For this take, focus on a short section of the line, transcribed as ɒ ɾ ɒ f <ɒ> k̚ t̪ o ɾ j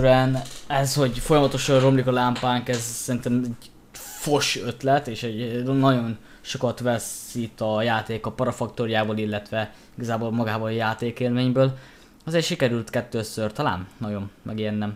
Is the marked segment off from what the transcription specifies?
no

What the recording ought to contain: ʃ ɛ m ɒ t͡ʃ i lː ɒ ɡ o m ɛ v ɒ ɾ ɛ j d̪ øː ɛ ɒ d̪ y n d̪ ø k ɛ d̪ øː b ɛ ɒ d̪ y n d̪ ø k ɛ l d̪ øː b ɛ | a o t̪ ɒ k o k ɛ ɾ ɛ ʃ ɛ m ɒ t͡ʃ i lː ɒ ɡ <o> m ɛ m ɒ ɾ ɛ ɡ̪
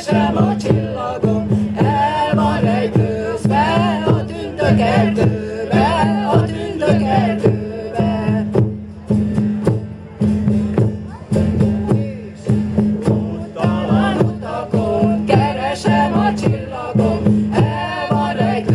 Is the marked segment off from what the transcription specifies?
no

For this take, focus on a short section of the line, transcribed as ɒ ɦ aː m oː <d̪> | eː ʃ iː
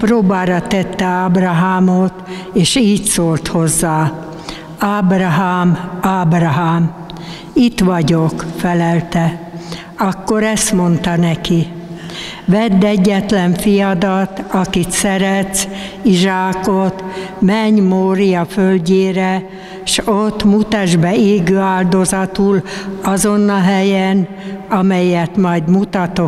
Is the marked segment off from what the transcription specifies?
yes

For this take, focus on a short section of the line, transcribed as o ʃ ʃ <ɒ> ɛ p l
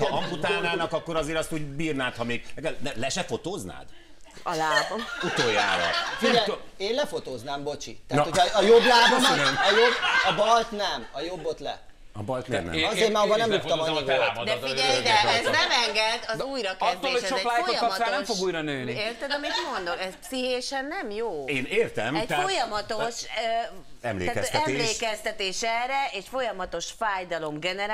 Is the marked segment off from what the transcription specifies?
yes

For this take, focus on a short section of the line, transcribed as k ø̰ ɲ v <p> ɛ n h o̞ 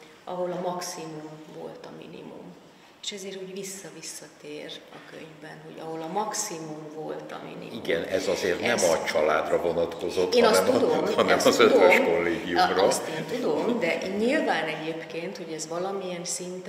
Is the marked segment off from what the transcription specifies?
yes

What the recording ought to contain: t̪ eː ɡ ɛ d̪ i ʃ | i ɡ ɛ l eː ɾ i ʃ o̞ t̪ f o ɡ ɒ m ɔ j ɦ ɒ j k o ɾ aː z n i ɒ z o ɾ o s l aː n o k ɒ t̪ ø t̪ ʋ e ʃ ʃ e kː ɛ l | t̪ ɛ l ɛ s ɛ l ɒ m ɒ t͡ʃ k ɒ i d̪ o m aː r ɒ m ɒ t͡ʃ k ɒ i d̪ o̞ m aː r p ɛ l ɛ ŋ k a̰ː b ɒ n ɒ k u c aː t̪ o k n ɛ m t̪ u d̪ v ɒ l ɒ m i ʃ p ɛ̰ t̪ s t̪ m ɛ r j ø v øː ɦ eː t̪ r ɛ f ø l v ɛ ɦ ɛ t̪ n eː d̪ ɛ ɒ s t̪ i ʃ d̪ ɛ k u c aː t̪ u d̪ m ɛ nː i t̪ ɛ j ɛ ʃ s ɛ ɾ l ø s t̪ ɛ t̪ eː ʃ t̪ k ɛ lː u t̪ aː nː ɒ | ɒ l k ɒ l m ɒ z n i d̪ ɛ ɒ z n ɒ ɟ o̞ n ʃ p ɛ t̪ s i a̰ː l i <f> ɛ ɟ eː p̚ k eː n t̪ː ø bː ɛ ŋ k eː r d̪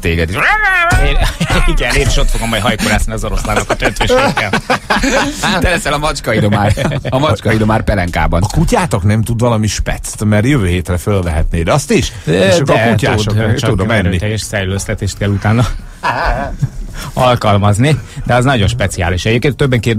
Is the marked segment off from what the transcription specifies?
yes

